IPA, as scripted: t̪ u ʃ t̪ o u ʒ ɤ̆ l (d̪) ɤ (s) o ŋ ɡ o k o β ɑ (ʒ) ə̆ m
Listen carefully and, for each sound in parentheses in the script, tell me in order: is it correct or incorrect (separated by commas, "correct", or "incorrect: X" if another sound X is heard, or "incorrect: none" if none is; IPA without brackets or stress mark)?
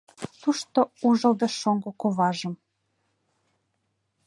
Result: correct, incorrect: ʃ, correct